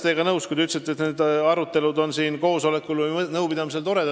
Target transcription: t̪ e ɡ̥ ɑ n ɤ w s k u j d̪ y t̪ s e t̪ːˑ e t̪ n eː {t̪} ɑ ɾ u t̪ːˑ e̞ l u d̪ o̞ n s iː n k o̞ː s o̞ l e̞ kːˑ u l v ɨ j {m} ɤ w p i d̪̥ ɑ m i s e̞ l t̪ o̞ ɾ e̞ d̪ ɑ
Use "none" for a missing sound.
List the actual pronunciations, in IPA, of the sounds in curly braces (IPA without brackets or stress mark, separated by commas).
d̪, n